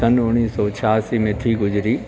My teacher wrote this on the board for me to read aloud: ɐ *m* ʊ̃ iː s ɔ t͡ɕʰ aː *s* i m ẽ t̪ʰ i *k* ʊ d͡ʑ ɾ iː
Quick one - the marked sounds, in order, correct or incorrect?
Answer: incorrect: n, correct, incorrect: ɡ

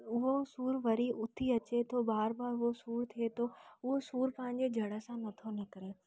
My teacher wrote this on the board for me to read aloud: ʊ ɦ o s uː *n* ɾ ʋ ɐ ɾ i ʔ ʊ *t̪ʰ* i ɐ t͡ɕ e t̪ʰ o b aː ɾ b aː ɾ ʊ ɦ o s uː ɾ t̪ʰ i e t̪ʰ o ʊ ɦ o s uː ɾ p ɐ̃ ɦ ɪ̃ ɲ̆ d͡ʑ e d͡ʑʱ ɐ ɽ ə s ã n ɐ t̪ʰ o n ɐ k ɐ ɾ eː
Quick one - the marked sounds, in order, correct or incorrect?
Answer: incorrect: none, correct

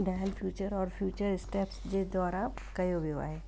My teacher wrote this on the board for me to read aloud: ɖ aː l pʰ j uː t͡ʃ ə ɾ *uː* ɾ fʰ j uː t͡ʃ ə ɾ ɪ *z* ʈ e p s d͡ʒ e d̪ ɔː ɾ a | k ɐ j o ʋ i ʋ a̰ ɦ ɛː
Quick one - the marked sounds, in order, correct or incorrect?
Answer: incorrect: ɔː, incorrect: s

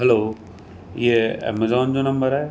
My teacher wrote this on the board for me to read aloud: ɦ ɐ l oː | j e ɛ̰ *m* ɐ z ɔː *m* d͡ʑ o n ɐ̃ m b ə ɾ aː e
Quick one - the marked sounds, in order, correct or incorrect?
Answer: correct, incorrect: n

